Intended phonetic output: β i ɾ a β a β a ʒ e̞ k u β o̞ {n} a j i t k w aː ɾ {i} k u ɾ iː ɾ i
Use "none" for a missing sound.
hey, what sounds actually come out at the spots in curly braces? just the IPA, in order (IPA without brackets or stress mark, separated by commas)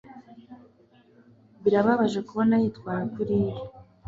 n, a